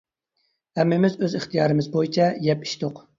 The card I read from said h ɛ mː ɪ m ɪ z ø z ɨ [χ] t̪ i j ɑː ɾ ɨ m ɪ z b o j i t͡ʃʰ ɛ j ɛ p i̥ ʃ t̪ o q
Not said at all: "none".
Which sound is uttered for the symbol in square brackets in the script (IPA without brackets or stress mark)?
χ